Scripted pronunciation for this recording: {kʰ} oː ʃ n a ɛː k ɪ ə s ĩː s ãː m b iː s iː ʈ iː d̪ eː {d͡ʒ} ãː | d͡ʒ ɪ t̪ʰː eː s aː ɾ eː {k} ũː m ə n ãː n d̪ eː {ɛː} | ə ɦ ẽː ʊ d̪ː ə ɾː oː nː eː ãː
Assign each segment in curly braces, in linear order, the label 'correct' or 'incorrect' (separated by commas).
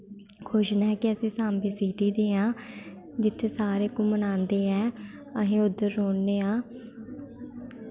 correct, incorrect, correct, correct